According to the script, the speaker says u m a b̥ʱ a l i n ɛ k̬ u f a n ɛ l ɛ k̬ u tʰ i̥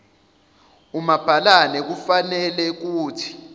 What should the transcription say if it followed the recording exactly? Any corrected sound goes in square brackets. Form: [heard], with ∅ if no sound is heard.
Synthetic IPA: u m a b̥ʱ a l [a] n ɛ k̬ u f a n ɛ l ɛ k̬ [uː] tʰ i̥

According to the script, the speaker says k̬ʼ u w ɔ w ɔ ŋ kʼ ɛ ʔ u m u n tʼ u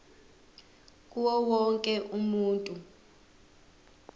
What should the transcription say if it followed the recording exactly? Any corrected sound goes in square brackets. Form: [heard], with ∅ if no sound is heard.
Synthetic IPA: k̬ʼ u w ɔ w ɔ ŋ kʼ ɛ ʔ u m [uː] n tʼ u

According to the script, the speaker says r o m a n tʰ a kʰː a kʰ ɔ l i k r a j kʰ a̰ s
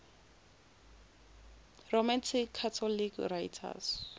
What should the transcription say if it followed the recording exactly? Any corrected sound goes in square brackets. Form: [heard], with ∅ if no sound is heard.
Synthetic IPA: r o m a n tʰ [i] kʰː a [tʰ] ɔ l i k r a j [tʰ] a̰ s

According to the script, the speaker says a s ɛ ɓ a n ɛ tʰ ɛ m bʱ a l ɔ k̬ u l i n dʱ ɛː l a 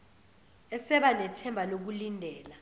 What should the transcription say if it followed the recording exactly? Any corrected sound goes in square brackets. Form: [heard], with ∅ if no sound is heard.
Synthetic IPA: [ɛ] s ɛ ɓ a n ɛ tʰ ɛ m bʱ a l [o] k̬ u l i n dʱ ɛː l a

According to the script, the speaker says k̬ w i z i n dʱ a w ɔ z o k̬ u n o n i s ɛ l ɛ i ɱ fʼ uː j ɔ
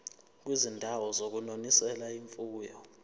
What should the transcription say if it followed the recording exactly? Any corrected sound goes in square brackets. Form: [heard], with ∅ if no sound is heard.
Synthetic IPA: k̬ w i z i n dʱ a w ɔ z o k̬ u n o n i s ɛ l [a] i ɱ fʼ uː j ɔ

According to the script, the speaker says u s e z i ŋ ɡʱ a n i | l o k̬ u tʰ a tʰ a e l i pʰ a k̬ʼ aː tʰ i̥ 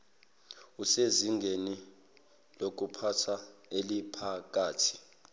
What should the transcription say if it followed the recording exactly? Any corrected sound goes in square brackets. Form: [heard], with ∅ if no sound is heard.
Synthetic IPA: u s e z i ŋ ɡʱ [e] n i | l o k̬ u [pʰ] a tʰ a e l i pʰ a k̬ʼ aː tʰ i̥

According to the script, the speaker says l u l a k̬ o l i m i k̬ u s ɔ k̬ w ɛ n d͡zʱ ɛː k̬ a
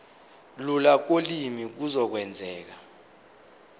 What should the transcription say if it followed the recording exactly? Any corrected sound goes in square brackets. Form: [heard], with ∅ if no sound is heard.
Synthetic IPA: l u l a k̬ o l i m i k̬ u [z] ɔ k̬ w ɛ n d͡zʱ ɛː k̬ a

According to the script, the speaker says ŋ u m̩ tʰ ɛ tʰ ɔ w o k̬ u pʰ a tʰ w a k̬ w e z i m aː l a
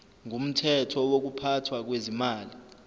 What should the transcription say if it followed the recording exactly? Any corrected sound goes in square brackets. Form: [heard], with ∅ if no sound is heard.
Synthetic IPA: ŋ u m̩ tʰ ɛ tʰ ɔ w o k̬ u pʰ a tʰ w a k̬ w e z i m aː l [i]

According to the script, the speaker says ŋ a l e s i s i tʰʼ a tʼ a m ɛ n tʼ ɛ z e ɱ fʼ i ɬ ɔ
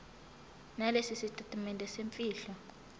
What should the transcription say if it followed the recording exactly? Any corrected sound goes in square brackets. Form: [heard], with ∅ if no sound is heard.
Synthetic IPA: [n] a l e s i s i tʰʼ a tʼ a m ɛ n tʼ ɛ [s] e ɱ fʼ [iː] ɬ ɔ

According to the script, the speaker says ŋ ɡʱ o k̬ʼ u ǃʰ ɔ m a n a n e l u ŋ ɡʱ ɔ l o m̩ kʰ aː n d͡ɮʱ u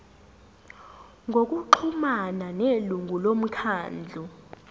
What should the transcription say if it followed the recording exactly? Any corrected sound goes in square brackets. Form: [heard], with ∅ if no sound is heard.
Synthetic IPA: ŋ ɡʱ o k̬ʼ u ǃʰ [u] m a n a n e l u ŋ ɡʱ [u] l o m̩ kʰ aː n d͡ɮʱ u

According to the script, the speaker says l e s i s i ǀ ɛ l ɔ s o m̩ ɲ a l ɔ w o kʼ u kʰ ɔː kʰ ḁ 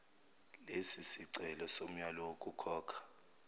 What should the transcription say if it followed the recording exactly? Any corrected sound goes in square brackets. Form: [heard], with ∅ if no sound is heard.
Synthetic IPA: l e s i s i ǀ ɛ l ɔ s o m̩ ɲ a l ɔ w o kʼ u kʰ ɔː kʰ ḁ

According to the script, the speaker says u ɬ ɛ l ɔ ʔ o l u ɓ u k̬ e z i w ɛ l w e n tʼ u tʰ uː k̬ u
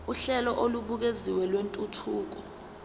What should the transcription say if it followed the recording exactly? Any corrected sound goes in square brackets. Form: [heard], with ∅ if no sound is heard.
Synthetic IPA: u ɬ ɛ l ɔ ʔ o l u ɓ u k̬ e z i w ɛ l w e n tʼ u tʰ uː k̬ [ɔ]

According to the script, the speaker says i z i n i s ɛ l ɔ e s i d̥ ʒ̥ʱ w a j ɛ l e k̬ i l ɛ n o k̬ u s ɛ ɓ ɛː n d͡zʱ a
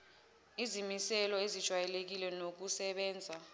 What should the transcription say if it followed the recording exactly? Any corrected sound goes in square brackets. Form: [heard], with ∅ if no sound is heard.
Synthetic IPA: i z i [m] i s ɛ l ɔ e [z] i d̥ ʒ̥ʱ w a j ɛ l e k̬ i l ɛ n o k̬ u s ɛ ɓ ɛː n d͡zʱ a

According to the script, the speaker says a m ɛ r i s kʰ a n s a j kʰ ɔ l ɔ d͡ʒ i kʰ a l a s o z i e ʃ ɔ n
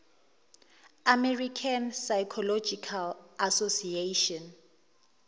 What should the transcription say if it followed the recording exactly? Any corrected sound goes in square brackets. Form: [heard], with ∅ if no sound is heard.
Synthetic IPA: a m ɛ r i [∅] kʰ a n s a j kʰ ɔ l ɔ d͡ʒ i kʰ a l a s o [s] i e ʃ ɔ n

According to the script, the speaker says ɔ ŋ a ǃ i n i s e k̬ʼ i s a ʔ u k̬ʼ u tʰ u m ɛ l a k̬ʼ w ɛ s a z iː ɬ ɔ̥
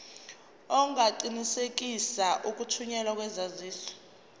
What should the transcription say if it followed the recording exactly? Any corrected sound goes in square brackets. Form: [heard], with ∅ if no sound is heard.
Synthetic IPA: ɔ ŋ a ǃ i n i s e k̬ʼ i s a ʔ u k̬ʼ u tʰ u [ɲ] ɛ l a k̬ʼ w ɛ [z] a z iː ɬ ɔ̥

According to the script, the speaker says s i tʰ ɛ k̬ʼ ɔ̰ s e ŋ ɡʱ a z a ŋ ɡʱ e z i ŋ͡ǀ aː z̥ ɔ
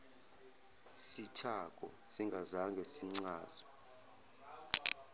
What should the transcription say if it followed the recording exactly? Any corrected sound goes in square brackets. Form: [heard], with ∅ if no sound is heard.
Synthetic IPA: s i tʰ [a] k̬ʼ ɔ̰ s [i] ŋ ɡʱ a z a ŋ ɡʱ e [s] i ŋ͡ǀ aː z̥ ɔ

